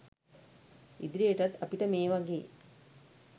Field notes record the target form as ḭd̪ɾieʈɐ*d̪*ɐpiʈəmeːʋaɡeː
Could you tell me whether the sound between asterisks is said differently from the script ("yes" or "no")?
yes